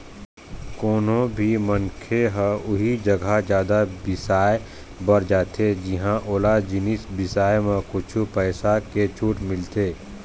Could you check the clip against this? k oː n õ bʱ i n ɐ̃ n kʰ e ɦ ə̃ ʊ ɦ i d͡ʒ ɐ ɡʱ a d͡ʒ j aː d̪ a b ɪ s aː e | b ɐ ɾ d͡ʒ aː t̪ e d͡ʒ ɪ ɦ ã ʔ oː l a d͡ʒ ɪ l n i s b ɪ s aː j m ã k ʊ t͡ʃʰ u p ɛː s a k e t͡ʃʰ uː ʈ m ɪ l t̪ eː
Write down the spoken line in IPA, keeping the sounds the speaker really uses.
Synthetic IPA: k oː n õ bʱ i m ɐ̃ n kʰ e ɦ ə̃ ʊ ɦ i d͡ʒ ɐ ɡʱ a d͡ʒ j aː d̪ a b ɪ s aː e | b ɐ ɾ d͡ʒ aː t̪ e d͡ʒ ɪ ɦ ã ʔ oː l a d͡ʒ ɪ n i s b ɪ s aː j m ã k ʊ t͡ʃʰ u p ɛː s a k e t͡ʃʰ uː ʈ m ɪ l t̪ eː